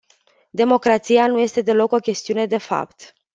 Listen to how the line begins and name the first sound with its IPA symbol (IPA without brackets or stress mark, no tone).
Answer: d̪